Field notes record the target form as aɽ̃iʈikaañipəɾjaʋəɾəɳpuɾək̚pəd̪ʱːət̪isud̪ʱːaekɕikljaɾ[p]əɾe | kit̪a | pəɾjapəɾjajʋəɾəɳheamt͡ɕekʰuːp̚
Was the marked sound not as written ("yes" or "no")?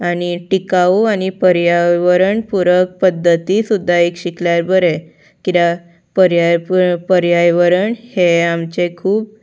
yes